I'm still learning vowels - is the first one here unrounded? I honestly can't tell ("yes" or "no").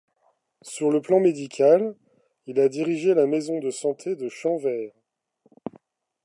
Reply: no